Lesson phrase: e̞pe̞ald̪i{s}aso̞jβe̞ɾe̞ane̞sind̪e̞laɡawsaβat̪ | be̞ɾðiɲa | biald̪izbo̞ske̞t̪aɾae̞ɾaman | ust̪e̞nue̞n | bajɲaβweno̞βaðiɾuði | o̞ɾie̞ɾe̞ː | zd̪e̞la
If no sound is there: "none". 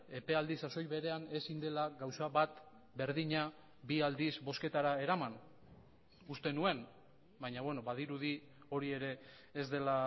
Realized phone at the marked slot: s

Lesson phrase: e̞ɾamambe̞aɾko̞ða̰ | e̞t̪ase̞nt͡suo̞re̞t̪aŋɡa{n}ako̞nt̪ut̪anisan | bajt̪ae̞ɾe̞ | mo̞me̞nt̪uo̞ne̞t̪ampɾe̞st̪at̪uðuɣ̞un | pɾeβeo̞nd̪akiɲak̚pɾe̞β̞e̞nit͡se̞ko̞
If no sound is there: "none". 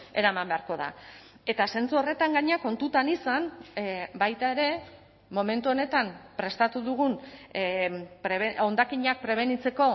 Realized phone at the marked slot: ɲ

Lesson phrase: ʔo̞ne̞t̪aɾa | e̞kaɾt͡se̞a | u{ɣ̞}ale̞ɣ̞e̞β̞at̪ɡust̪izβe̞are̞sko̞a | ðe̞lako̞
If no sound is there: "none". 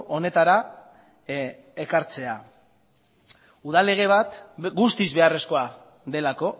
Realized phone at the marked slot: ð̞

